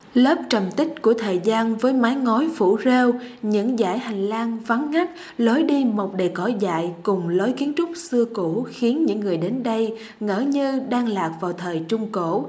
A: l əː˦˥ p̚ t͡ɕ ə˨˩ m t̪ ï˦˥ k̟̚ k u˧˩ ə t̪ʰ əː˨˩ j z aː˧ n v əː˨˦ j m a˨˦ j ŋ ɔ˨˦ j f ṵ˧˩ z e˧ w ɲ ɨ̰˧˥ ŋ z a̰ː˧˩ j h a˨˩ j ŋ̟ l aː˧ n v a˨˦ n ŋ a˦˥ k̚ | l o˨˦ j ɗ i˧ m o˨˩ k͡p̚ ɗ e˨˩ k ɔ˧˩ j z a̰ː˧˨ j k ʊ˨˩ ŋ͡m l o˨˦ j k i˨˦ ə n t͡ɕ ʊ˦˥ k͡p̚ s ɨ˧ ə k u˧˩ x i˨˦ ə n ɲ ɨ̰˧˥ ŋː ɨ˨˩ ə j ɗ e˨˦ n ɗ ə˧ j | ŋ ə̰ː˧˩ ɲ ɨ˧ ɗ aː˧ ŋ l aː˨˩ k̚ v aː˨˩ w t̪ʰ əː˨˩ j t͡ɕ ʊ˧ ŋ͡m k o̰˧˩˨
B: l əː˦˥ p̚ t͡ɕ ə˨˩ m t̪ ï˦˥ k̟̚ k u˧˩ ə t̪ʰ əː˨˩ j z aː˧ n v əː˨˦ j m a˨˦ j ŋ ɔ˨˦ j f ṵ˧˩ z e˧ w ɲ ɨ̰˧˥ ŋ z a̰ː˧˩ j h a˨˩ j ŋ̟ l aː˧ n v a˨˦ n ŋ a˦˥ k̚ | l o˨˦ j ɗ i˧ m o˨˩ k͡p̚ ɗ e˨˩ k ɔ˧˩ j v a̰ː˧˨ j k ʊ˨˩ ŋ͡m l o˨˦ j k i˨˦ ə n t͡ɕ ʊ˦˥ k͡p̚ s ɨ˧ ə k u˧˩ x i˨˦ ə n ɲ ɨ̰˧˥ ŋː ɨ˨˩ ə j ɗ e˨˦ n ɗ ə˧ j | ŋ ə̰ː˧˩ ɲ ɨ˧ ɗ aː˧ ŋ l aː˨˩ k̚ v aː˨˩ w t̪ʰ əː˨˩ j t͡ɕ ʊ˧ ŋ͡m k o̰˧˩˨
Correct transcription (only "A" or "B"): A